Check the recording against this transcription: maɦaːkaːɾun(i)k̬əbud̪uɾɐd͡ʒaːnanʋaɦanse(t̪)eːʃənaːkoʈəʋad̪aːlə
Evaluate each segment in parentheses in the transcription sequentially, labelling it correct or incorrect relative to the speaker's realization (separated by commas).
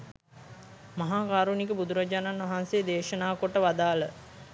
correct, incorrect